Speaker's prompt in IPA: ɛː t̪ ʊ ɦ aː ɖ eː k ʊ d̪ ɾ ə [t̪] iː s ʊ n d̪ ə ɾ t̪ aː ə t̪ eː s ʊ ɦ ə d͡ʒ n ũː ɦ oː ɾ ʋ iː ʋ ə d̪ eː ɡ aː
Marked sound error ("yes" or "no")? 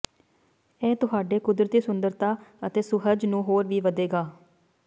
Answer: no